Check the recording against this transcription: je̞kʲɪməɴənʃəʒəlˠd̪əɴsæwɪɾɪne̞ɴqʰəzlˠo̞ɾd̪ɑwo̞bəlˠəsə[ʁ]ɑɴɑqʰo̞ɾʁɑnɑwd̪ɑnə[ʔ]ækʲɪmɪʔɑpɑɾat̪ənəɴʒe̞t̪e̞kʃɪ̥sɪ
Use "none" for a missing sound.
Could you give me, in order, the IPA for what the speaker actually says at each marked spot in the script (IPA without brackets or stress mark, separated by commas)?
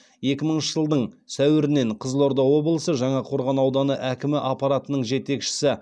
ʒ, ʔ